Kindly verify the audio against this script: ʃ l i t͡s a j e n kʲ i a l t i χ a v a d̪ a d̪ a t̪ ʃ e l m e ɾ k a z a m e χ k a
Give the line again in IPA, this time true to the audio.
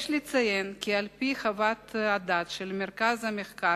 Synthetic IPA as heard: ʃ l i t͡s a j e n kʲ i a l p i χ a v a t̪ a d̪ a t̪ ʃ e l m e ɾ k a z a m e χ k a